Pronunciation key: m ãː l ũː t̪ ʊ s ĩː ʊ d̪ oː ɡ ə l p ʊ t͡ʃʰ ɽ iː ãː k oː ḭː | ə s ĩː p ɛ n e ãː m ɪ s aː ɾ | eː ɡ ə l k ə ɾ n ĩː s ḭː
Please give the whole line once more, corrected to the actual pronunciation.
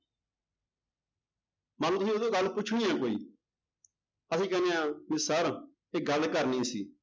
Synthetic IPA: m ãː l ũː t̪ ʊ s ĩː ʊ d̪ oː ɡ ə l p ʊ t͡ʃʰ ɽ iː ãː k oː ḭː | ə s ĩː k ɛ n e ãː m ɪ s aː ɾ | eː ɡ ə l k ə ɾ n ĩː s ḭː